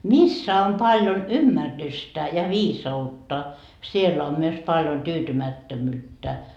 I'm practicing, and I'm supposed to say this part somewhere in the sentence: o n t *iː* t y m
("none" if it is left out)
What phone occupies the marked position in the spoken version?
yː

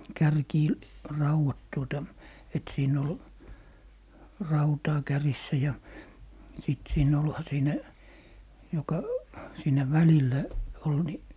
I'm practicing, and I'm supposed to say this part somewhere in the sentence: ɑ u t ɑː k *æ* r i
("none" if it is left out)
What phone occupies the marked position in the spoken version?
æ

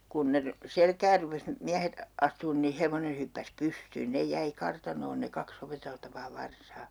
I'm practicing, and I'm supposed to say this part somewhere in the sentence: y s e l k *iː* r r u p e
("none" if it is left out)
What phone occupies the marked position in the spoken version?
æː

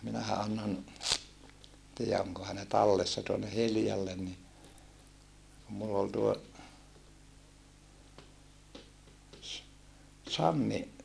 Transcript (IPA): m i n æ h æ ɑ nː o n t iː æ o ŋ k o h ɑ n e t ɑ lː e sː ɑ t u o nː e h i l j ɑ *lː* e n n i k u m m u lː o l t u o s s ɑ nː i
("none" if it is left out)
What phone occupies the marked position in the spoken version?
lː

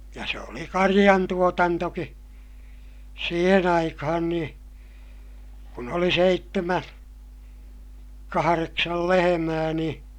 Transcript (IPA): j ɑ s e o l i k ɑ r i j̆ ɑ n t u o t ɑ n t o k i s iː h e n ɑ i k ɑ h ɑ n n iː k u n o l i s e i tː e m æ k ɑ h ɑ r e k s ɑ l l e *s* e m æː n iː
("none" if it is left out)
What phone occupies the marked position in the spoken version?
h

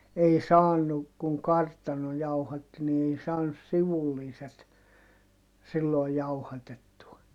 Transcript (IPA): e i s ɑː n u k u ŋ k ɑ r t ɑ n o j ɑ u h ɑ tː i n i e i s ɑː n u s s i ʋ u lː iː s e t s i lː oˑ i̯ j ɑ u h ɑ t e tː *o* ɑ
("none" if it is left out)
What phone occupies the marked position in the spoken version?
u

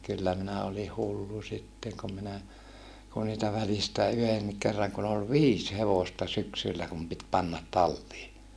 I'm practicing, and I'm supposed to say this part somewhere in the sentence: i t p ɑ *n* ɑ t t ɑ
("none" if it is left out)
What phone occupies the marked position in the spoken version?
nː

